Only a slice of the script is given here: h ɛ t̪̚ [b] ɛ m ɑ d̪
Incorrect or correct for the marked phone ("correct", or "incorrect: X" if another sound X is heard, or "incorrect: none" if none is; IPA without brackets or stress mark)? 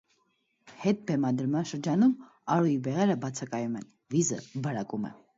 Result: correct